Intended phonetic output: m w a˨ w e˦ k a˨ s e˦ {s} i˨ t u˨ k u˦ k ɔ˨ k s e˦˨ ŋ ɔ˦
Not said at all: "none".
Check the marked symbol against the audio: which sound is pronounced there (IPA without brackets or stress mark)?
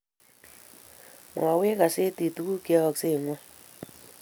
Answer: t